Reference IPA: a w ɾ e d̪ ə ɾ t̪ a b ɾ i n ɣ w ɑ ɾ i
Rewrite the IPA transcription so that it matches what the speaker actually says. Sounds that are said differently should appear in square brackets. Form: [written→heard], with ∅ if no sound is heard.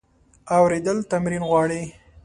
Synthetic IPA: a w ɾ e d̪ ə [ɾ→l] t̪ a [b→m] ɾ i n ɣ w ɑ [ɾ→ɽ] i